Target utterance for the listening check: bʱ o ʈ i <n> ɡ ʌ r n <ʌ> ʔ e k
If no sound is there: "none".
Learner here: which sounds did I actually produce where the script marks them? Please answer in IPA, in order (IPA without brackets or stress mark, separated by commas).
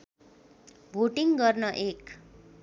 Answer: ŋ, ʌ